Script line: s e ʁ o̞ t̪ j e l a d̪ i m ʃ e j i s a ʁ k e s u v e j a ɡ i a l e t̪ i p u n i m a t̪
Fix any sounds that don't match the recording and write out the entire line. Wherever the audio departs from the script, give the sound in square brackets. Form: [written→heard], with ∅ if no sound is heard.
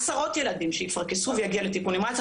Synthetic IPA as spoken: s [e→a] ʁ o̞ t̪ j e l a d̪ i m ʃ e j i [s→f] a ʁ k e s u v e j a ɡ i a l e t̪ i [p→k] u n i m a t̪